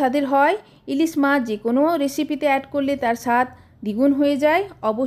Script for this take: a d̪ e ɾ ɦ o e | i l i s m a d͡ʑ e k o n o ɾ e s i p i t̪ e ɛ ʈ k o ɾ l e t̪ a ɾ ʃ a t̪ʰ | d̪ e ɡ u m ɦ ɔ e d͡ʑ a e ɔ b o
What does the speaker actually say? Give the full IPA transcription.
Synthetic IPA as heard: a d̪ e ɾ ɦ ɔ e | i l i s m a d͡ʑ e k o n o ɾ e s i p i t̪ e ɛ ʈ k o ɾ l e t̪ a ɾ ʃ a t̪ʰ | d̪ i ɡ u n ɦ o e d͡ʑ a e ɔ b o